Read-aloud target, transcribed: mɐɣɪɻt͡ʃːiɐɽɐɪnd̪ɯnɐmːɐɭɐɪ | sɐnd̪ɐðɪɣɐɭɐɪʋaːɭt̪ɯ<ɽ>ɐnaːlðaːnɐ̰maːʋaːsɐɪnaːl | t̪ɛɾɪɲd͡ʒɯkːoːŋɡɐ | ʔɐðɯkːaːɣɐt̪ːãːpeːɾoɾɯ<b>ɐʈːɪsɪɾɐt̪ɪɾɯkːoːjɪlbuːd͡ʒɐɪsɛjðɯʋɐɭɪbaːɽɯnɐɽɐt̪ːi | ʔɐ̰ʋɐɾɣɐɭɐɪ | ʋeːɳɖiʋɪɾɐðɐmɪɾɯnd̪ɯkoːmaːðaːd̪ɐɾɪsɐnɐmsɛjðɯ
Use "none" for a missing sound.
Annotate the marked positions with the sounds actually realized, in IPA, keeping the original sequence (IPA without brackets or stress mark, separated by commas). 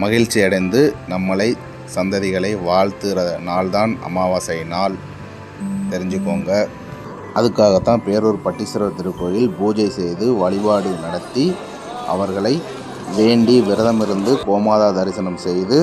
ɾ, p